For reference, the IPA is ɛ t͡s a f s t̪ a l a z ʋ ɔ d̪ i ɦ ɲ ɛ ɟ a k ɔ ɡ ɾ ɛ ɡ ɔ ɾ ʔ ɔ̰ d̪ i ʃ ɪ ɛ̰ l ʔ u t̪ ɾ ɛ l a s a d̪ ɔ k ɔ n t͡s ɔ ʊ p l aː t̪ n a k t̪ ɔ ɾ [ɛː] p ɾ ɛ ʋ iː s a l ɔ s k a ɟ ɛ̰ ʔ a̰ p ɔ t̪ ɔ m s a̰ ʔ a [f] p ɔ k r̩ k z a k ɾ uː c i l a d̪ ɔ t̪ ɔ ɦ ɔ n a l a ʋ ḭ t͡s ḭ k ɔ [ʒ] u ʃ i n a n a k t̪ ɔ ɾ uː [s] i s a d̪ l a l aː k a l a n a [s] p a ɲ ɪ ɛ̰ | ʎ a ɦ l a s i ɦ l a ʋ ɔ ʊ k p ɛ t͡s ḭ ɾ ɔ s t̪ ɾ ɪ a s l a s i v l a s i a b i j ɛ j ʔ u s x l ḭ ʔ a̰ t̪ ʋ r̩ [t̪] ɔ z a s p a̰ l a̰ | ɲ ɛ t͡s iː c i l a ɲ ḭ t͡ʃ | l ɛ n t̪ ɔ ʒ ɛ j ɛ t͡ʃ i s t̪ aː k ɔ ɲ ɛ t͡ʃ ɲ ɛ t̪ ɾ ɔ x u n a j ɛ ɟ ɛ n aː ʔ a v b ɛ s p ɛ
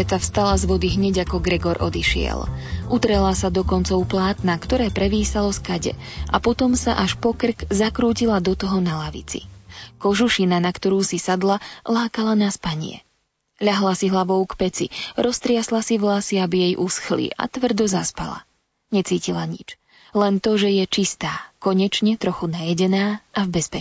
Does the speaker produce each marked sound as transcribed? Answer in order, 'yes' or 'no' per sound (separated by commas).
yes, no, yes, yes, yes, no